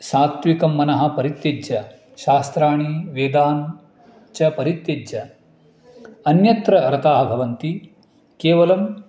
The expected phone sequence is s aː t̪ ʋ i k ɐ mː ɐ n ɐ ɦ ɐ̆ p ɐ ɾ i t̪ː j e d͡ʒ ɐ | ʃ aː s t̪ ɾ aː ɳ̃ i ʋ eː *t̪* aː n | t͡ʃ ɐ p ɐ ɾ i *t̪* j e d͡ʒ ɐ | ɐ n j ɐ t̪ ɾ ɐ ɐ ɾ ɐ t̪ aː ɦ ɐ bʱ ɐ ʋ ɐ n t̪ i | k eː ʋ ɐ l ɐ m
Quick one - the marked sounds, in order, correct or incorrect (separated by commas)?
incorrect, correct